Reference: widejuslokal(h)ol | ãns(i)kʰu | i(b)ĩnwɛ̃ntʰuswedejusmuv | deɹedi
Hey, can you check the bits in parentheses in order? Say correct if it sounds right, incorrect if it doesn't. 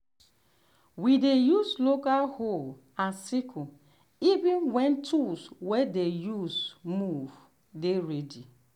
correct, correct, incorrect

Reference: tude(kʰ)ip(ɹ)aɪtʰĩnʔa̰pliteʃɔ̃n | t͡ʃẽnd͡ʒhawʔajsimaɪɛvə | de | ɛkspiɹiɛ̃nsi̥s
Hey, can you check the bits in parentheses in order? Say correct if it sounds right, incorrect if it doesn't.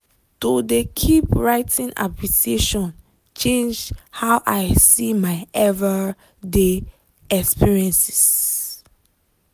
correct, correct

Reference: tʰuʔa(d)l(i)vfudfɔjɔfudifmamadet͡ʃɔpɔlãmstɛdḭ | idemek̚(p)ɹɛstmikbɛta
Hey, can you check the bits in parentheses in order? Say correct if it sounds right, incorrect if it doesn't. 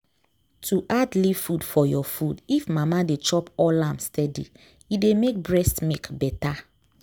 correct, correct, incorrect

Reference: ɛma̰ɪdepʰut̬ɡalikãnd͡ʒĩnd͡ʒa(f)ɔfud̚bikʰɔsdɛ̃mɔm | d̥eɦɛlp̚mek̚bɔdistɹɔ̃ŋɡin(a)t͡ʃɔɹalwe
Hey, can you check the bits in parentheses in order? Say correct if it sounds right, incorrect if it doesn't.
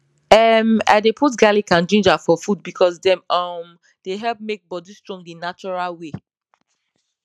correct, correct

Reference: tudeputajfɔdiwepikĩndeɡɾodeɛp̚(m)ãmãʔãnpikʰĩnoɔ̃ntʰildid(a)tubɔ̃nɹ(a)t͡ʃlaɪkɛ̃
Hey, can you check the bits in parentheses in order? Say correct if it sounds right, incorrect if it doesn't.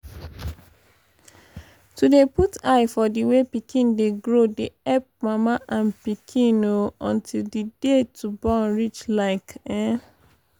correct, incorrect, incorrect

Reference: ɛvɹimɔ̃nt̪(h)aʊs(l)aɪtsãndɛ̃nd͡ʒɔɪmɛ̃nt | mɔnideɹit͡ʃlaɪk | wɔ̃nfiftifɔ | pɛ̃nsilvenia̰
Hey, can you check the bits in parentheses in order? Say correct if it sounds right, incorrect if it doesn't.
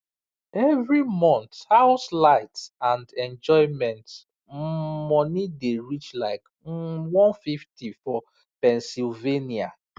correct, correct

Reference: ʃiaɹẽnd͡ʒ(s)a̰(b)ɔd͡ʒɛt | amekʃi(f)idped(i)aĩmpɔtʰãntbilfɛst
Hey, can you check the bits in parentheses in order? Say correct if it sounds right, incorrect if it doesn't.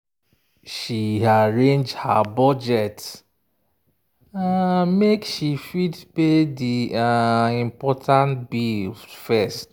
incorrect, correct, correct, correct

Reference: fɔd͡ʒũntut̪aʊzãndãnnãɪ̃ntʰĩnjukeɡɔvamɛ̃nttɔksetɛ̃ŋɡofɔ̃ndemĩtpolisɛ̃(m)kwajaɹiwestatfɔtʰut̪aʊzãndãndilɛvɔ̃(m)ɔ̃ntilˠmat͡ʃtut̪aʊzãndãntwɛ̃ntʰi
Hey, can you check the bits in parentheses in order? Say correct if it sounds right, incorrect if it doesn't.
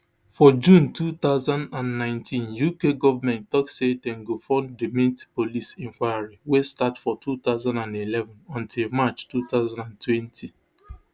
incorrect, incorrect

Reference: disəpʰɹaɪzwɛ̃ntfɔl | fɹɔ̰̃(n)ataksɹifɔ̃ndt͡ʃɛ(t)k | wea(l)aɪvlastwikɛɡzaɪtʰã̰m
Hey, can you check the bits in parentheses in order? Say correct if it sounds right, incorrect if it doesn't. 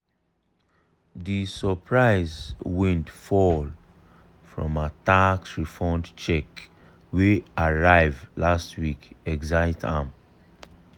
incorrect, incorrect, incorrect

